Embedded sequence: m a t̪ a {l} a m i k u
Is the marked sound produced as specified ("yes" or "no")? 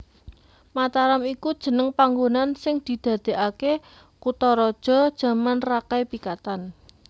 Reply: no